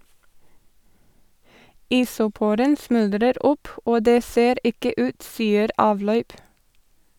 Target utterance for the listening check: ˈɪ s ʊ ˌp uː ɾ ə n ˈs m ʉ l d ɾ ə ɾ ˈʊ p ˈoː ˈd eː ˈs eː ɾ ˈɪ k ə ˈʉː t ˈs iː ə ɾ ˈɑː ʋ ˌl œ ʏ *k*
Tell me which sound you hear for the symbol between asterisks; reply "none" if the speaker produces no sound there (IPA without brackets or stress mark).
p